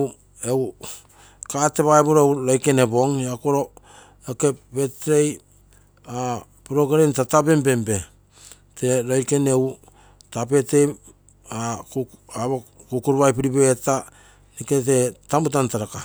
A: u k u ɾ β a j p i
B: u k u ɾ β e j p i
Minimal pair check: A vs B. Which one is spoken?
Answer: A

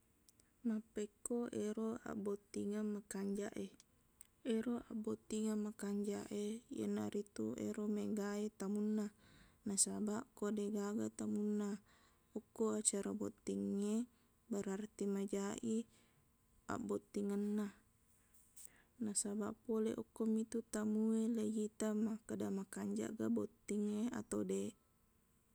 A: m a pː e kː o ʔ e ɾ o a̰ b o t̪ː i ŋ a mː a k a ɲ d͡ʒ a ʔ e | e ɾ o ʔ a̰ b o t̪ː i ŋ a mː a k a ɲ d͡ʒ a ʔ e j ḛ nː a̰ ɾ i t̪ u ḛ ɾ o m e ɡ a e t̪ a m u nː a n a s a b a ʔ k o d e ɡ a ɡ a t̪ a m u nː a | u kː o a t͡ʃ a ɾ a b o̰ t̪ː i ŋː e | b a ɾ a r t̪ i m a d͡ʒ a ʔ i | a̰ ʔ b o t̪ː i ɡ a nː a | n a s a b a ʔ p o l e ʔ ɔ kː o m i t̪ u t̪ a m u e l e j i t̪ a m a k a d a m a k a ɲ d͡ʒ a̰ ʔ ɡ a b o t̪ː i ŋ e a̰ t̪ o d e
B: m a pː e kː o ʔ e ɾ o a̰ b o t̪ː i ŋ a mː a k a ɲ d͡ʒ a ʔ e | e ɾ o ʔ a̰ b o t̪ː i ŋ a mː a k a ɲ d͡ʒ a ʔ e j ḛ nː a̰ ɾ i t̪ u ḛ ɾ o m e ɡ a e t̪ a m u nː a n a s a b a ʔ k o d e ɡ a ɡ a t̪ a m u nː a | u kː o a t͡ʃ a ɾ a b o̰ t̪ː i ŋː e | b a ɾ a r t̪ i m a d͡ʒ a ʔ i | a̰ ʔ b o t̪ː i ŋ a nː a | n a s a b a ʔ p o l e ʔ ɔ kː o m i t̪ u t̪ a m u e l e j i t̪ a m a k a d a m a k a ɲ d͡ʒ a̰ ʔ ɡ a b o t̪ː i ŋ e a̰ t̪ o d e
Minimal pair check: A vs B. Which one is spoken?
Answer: B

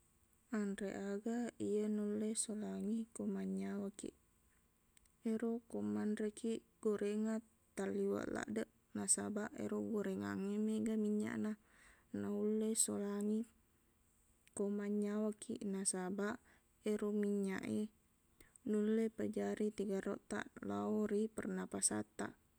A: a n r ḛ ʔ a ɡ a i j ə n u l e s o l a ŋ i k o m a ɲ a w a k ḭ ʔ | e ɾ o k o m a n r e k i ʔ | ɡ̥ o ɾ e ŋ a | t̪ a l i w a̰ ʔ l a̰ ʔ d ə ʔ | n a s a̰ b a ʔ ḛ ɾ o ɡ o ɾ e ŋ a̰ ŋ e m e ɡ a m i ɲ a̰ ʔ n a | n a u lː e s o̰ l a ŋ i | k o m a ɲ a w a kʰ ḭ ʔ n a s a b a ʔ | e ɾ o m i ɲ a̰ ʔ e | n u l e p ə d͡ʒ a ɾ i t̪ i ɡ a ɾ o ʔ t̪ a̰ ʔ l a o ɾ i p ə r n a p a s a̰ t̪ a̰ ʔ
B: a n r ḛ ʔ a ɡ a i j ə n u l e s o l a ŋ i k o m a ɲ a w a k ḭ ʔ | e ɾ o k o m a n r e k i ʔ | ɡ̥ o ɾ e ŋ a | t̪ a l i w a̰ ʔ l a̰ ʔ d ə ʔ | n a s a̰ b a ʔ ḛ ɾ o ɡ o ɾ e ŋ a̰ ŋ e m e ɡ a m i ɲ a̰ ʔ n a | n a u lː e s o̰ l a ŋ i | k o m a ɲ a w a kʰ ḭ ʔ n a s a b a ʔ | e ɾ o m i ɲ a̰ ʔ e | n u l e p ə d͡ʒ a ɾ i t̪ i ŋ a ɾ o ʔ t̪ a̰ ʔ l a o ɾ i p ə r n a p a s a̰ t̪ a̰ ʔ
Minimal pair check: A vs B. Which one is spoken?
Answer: A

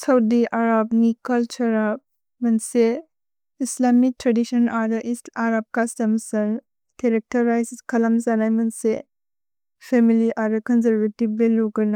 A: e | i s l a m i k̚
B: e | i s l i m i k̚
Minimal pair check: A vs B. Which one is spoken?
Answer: A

